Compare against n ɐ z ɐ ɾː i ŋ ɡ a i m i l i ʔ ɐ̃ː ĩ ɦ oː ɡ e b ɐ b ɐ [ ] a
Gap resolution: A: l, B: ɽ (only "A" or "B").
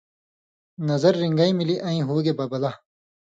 A